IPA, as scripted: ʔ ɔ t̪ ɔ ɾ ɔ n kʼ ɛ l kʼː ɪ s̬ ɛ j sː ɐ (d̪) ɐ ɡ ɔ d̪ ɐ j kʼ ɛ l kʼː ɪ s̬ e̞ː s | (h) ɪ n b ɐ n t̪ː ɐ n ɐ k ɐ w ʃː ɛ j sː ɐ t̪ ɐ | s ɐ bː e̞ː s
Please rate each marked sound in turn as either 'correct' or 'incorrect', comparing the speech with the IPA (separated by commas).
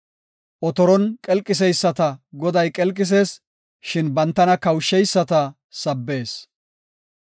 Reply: incorrect, incorrect